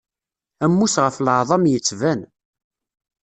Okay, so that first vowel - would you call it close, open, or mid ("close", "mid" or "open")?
open